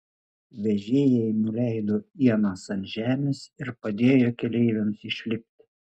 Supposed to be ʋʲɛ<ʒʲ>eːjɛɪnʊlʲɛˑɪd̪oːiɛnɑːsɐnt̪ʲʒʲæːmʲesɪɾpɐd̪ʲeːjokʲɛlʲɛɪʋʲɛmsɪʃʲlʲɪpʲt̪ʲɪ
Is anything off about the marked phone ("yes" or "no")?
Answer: no